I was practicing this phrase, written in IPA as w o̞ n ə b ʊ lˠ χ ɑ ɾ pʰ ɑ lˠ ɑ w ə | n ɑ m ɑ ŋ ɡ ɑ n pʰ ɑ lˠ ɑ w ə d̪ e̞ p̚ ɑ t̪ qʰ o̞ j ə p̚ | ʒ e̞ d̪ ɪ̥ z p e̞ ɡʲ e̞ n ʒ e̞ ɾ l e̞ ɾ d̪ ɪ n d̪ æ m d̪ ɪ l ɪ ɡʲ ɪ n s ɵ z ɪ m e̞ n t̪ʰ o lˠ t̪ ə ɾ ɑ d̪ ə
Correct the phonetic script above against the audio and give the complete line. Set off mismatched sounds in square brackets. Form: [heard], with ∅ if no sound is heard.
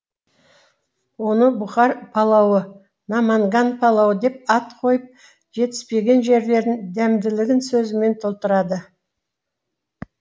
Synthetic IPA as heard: w o̞ n ə b ʊ [∅] χ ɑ ɾ pʰ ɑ lˠ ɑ w ə | n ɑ m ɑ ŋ ɡ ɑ n pʰ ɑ lˠ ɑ w ə d̪ e̞ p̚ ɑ t̪ qʰ o̞ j ə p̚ | ʒ e̞ [t̪] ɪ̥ [s] p e̞ ɡʲ e̞ n ʒ e̞ ɾ l e̞ ɾ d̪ ɪ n d̪ æ m d̪ ɪ l ɪ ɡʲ ɪ n s ɵ z ɪ m e̞ n t̪ʰ o lˠ t̪ ə ɾ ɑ d̪ ə